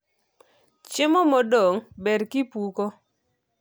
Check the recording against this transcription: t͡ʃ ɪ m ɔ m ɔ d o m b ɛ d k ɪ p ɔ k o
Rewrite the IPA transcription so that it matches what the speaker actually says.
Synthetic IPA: t͡ʃ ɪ m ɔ m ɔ d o ŋ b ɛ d k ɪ p u k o